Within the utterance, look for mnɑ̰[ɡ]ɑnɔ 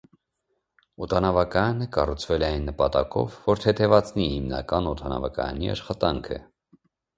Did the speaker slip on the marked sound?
yes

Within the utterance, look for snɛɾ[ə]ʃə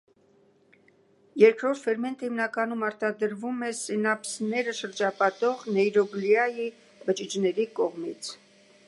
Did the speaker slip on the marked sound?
no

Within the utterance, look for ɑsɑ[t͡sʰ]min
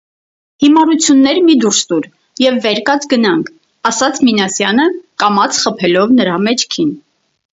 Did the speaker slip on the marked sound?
no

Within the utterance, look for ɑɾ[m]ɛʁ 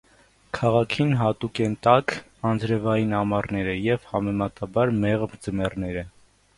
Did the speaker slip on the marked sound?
no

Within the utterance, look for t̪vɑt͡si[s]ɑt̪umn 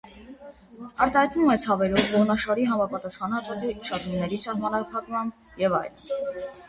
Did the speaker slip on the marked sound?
yes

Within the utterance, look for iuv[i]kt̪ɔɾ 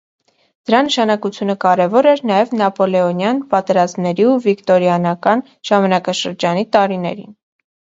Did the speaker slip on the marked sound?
no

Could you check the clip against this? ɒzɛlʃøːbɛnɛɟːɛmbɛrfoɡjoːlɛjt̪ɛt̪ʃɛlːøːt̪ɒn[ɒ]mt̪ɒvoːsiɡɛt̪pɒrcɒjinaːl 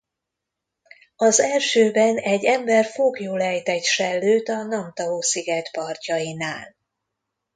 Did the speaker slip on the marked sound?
no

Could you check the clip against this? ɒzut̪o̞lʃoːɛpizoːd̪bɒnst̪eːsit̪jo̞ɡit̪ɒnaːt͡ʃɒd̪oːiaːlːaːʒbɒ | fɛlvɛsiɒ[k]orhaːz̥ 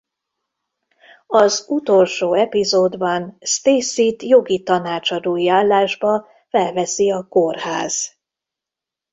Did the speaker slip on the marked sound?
no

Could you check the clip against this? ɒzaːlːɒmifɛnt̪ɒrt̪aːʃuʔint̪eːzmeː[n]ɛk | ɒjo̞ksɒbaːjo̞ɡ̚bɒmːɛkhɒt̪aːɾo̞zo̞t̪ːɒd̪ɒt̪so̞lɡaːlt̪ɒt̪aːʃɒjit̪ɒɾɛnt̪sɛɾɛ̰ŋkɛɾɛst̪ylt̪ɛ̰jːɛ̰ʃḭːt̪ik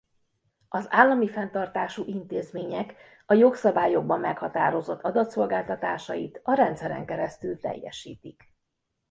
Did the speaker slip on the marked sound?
yes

